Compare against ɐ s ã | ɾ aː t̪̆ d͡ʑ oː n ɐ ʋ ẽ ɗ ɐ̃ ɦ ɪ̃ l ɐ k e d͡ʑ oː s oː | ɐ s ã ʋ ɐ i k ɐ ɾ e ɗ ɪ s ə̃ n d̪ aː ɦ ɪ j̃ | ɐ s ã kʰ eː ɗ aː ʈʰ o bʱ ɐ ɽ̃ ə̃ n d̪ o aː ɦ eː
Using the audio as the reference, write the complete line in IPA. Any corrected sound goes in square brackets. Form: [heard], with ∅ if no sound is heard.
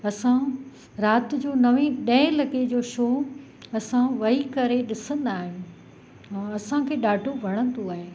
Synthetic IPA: ɐ s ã | ɾ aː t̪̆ d͡ʑ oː n ɐ ʋ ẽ ɗ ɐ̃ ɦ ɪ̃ l ɐ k e d͡ʑ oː [ʃ] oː | ɐ s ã ʋ ɐ i k ɐ ɾ e ɗ ɪ s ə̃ n d̪ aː ɦ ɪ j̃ | ɐ s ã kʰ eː ɗ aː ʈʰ o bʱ ɐ ɽ̃ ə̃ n d̪ o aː ɦ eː

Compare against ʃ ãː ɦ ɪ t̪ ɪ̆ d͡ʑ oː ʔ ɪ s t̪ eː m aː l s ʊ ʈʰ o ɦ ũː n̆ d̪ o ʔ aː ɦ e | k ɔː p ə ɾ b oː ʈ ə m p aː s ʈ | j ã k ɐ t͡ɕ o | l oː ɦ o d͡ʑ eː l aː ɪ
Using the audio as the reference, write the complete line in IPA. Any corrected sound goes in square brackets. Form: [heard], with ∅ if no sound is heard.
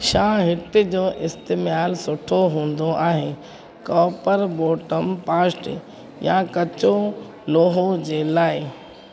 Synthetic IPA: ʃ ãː ɦ ɪ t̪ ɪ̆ d͡ʑ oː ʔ ɪ s t̪ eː m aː l s ʊ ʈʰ o ɦ ũː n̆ d̪ o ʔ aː ɦ e | k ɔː p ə ɾ b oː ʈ ə m p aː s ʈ | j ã k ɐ t͡ɕ o | l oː ɦ o d͡ʑ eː l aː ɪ

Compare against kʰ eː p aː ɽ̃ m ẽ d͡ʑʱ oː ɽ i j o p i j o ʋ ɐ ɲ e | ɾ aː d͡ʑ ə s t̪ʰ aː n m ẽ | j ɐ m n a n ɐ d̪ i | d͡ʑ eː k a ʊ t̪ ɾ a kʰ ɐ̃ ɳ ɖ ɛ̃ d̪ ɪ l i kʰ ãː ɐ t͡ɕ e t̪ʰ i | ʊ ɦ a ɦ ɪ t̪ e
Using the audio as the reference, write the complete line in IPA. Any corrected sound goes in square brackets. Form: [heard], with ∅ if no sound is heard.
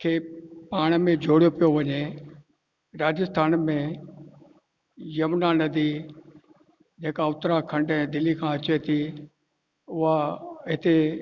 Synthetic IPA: kʰ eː p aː ɽ̃ m ẽ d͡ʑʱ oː ɽ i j o p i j o ʋ ɐ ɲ e | ɾ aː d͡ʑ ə s t̪ʰ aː n m ẽ | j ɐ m n a n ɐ d̪ i | d͡ʑ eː k a ʊ t̪ ɾ a kʰ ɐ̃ ɳ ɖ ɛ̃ d̪ ɪ l i kʰ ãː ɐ t͡ɕ e t̪ʰ i | ʊ ɦ a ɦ ɪ t̪ e

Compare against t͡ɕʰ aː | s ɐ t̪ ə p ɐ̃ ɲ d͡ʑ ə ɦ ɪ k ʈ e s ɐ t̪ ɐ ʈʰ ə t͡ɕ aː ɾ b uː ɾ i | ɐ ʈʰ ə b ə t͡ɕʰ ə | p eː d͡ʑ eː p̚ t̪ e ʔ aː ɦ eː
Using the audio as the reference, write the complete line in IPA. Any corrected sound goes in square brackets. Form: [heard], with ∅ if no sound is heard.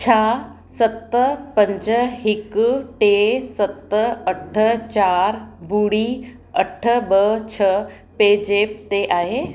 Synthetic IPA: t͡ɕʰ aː | s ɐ t̪ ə p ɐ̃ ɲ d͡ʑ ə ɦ ɪ k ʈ e s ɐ t̪ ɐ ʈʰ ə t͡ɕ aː ɾ b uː [ɽ] i | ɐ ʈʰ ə b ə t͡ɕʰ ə | p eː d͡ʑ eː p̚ t̪ e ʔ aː ɦ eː

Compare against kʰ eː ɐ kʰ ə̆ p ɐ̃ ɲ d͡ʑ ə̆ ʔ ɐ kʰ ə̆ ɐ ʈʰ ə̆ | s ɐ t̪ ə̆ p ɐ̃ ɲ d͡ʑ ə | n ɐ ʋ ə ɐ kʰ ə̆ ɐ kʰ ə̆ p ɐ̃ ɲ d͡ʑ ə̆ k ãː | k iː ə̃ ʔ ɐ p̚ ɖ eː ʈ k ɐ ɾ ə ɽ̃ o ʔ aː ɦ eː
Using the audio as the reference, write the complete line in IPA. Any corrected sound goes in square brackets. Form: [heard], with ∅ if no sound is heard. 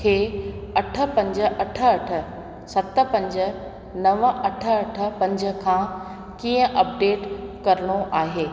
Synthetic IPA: kʰ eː ɐ [ʈʰ] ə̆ p ɐ̃ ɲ d͡ʑ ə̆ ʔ ɐ [ʈʰ] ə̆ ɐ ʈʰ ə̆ | s ɐ t̪ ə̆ p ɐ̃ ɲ d͡ʑ ə | n ɐ ʋ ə ɐ [ʈʰ] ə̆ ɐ [ʈʰ] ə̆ p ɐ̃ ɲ d͡ʑ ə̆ [kʰ] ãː | k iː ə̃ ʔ ɐ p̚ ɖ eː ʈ k ɐ ɾ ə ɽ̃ o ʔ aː ɦ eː

